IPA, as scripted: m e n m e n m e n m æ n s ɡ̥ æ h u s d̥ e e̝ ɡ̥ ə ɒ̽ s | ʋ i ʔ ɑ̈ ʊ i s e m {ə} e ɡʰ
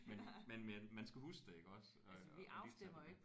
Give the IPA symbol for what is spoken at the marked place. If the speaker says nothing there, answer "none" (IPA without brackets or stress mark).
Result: ɐ